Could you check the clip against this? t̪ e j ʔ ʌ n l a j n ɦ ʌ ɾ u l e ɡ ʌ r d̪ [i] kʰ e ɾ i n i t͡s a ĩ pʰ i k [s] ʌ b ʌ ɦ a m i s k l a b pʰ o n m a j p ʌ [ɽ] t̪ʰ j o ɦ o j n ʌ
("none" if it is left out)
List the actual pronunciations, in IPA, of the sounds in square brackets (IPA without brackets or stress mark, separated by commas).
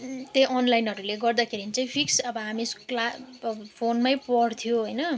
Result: a, s, ɽ